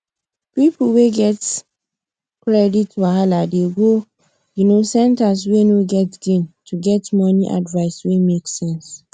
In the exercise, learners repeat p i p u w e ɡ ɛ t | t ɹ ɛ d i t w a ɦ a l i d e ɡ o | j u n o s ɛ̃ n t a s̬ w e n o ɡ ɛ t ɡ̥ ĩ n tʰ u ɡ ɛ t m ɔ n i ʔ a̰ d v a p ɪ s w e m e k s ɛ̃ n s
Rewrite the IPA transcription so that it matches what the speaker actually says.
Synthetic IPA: p i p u w e ɡ ɛ t | k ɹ ɛ d i t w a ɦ a l a d e ɡ o | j u n o s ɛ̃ n t a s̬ w e n o ɡ ɛ t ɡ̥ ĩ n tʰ u ɡ ɛ t m ɔ n i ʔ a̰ d v a ɪ s w e m e k s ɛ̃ n s